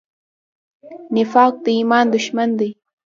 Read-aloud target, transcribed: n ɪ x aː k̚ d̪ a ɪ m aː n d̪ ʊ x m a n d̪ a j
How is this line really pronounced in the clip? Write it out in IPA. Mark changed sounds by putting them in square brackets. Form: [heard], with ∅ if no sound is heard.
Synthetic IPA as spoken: n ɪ [f] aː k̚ [t̪] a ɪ m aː n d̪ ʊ [ʃ] m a n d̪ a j